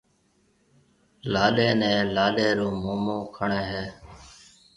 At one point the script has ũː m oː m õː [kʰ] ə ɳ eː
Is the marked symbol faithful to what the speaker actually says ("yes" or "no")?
yes